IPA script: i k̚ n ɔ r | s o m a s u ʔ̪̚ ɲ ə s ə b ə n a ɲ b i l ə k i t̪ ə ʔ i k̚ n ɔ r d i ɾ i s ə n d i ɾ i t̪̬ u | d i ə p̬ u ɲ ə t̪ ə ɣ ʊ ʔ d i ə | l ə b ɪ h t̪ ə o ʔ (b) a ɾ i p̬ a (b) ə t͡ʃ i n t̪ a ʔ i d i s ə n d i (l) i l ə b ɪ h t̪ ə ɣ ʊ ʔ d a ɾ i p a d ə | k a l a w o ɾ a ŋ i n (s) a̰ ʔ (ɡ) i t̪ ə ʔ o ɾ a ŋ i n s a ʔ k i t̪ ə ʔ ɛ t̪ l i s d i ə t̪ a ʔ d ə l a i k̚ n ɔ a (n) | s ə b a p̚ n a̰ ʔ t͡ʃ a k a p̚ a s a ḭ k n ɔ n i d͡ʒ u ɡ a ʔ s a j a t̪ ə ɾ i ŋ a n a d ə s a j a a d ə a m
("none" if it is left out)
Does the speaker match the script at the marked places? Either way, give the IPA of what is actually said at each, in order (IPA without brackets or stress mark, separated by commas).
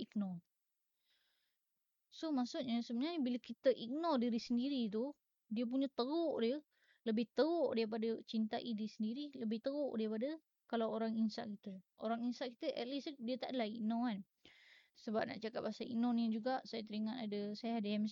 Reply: d, d, ɾ, s, k, n